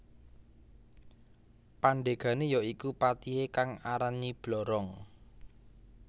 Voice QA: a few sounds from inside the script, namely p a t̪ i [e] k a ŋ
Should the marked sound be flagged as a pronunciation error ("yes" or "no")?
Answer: no